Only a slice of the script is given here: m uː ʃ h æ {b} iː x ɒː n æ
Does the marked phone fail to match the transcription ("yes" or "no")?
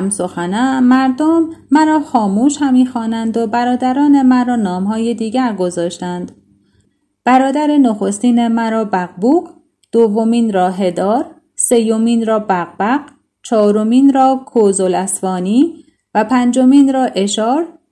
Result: yes